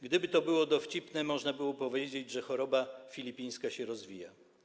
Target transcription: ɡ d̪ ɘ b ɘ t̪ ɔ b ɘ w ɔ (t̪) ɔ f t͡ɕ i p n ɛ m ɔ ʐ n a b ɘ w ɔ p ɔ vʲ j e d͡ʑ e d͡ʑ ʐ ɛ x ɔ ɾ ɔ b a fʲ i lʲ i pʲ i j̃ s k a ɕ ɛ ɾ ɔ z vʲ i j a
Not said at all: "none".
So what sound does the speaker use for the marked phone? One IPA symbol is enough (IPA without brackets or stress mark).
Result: d̪